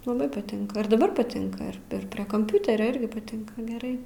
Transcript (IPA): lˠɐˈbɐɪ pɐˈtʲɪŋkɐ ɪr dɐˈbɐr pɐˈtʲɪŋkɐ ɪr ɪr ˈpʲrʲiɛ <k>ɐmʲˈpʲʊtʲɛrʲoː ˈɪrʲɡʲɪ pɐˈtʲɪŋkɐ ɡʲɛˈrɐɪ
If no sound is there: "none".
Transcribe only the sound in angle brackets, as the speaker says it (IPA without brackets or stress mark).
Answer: k